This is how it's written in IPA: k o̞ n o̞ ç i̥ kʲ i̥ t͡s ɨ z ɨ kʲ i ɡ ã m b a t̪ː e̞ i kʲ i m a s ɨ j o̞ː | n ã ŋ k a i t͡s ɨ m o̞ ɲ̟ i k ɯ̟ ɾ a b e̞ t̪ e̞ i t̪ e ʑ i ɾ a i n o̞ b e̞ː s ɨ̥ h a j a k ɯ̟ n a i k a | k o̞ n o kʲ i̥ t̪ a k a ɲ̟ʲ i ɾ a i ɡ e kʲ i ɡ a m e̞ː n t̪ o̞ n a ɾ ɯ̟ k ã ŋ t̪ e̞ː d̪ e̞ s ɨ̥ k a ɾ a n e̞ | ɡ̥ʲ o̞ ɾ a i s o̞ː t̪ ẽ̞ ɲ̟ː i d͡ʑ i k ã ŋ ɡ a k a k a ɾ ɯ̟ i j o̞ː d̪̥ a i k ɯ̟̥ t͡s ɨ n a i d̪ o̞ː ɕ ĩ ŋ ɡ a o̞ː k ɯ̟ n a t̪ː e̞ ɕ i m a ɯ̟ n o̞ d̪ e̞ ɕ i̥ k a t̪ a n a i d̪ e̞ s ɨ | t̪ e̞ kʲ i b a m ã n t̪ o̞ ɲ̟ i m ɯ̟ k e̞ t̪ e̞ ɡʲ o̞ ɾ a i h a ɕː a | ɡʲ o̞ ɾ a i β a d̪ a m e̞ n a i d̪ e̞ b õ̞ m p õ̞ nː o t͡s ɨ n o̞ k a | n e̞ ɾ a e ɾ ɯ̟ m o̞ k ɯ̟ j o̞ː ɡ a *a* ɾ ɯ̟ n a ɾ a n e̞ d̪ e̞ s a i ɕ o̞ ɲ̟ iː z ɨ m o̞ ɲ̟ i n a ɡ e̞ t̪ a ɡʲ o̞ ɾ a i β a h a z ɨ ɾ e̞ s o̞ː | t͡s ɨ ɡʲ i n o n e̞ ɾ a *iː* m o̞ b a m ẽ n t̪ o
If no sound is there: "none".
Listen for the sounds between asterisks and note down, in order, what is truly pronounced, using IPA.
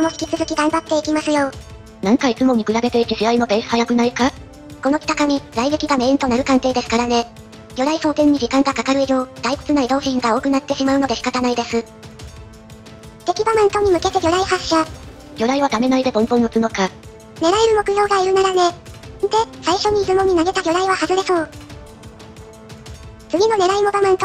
i, i

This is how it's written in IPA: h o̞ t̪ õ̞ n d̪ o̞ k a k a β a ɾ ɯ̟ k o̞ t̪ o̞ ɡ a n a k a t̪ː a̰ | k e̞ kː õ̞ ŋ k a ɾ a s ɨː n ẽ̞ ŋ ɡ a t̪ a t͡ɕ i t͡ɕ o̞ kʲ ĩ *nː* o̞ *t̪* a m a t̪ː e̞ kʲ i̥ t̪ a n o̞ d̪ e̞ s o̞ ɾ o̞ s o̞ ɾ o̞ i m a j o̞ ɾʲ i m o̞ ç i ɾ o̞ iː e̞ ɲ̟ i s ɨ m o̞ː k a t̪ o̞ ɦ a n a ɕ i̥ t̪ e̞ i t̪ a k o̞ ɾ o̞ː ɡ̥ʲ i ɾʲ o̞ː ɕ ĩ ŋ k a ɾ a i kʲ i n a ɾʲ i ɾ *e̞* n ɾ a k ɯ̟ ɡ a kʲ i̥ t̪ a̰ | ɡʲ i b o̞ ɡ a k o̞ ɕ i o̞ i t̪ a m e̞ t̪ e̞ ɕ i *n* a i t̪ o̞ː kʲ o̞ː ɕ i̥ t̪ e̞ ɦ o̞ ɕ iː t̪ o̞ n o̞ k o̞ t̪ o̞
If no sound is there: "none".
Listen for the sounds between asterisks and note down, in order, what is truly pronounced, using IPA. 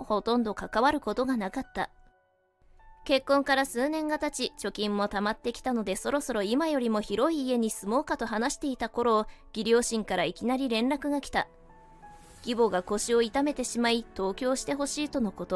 mː, t̪, ẽ̞, m

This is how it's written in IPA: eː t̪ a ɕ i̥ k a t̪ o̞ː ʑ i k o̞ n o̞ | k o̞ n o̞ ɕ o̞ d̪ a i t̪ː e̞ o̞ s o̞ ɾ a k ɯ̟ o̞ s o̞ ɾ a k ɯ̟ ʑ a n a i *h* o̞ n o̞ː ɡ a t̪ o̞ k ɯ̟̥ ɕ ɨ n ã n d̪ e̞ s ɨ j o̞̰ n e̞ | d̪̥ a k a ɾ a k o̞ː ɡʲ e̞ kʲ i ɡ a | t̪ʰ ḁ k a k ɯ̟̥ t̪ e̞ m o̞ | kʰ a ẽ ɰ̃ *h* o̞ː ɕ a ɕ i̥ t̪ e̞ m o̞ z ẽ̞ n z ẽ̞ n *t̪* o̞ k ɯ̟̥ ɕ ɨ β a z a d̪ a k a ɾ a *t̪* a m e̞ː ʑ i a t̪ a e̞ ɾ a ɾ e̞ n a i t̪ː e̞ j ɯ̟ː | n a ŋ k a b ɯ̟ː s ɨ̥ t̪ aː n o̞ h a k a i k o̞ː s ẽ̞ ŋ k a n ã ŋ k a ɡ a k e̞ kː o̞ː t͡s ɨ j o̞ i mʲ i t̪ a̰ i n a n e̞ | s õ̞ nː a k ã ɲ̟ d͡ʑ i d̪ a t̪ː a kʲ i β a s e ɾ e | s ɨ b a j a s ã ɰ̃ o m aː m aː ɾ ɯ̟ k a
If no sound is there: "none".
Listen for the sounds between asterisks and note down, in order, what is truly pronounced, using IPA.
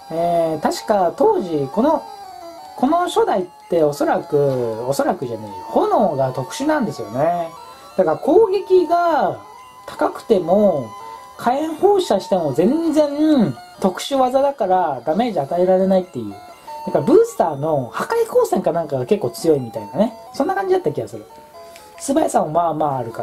h, h, t̪, d̪

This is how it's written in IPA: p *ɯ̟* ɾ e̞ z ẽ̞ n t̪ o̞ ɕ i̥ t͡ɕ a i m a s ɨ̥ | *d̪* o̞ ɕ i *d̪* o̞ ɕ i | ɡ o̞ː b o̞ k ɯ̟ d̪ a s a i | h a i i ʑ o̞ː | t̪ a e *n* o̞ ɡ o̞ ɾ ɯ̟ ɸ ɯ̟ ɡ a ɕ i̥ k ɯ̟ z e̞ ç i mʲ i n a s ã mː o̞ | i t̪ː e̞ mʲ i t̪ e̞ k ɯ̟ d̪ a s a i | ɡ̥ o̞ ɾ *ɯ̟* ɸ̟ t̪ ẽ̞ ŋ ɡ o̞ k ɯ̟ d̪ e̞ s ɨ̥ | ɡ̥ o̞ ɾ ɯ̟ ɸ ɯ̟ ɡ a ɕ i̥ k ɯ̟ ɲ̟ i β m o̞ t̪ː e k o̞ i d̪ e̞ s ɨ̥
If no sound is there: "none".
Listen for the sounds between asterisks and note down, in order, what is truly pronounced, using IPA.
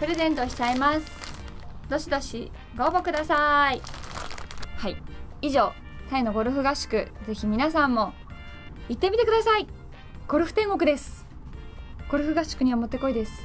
ɯ̟, d̪, d̪, n, ɯ̟

